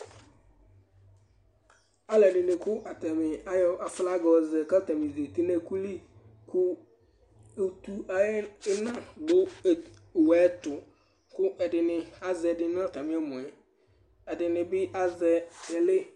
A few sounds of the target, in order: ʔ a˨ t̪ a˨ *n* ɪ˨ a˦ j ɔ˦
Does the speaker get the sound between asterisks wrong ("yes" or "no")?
yes